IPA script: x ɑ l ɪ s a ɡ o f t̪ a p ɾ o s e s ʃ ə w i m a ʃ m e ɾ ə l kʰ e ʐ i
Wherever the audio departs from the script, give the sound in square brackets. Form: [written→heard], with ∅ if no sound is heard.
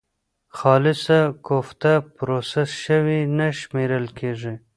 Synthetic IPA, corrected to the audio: x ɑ l ɪ s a [ɡ→k] o f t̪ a p ɾ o s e s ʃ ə w i [m→n] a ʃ m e ɾ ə l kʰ e ʐ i